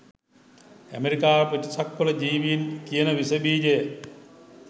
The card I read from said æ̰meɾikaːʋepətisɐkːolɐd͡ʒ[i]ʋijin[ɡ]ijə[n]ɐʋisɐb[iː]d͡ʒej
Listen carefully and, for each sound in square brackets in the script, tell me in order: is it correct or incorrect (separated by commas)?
incorrect, incorrect, correct, correct